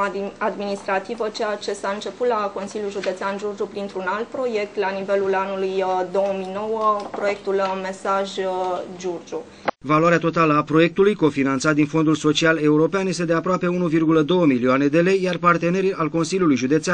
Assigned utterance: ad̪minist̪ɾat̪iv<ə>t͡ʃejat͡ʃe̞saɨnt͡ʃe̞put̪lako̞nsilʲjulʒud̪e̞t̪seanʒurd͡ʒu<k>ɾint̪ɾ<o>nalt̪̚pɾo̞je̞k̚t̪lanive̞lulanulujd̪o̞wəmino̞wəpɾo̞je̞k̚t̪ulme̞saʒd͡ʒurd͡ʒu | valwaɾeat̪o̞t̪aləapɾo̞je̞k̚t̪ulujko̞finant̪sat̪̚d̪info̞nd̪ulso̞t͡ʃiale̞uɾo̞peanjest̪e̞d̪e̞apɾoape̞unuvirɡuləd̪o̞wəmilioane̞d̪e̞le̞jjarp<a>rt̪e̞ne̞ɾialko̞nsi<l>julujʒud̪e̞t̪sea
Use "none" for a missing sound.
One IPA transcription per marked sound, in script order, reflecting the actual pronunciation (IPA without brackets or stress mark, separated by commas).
ə, p, u, a, l